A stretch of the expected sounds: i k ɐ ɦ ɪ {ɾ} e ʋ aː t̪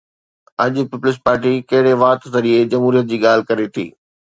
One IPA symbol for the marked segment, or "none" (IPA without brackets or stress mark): ɽ